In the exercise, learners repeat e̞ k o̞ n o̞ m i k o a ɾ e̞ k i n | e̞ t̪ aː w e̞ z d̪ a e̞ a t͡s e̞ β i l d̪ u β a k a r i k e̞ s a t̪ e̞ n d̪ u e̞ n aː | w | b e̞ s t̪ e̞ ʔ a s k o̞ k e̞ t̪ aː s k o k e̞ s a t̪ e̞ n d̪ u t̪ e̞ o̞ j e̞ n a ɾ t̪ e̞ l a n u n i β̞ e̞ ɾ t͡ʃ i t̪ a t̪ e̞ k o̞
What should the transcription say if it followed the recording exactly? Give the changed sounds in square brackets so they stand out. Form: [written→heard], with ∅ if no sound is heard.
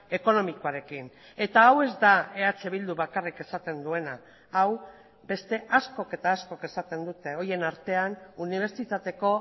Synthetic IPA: e̞ k o̞ n o̞ m i k o a ɾ e̞ k i n | e̞ t̪ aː w e̞ z d̪ a e̞ a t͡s e̞ β i l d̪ u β a k a r i k e̞ s a t̪ e̞ n d̪ u e̞ n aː | w | b e̞ s t̪ e̞ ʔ a s k o̞ k e̞ t̪ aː s k o k e̞ s a t̪ e̞ n d̪ u t̪ e̞ o̞ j e̞ n a ɾ t̪ e̞ [l→∅] a n u n i β̞ e̞ ɾ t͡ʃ i t̪ a t̪ e̞ k o̞